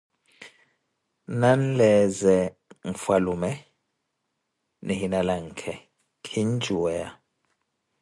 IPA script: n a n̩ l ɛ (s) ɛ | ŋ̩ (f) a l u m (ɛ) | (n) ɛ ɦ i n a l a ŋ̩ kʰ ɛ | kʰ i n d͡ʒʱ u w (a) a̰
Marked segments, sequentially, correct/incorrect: incorrect, correct, correct, correct, incorrect

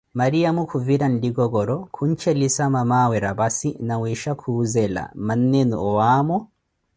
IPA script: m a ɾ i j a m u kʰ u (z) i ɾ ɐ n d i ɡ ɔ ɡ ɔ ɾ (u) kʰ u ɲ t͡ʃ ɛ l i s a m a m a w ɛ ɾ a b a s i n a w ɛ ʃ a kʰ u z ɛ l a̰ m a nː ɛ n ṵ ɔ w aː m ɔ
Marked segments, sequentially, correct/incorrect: incorrect, incorrect

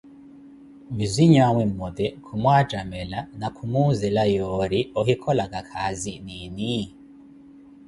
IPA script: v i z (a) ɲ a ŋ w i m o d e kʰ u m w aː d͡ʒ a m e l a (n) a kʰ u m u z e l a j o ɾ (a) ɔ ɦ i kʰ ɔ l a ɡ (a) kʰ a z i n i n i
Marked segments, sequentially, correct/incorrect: incorrect, correct, incorrect, correct

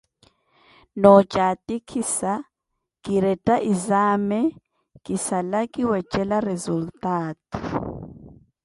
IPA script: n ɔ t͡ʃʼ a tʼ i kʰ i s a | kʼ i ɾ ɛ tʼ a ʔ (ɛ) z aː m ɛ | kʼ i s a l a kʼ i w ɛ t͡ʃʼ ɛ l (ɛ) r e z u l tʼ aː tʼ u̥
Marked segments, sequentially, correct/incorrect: incorrect, incorrect

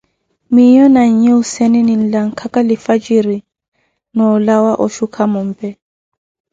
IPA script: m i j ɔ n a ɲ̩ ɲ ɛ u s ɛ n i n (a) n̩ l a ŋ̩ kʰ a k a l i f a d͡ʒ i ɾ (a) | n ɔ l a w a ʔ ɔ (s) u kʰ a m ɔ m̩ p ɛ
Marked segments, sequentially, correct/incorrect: incorrect, incorrect, incorrect

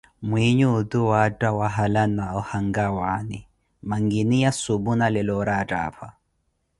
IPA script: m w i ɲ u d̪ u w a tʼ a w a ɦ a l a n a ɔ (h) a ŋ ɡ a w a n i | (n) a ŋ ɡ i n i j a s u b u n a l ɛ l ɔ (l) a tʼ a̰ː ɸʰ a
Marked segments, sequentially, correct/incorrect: correct, incorrect, incorrect

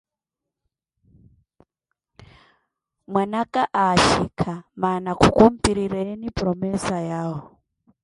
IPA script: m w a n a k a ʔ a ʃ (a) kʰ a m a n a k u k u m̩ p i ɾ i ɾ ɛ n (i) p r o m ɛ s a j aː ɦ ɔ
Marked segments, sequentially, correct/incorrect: incorrect, correct

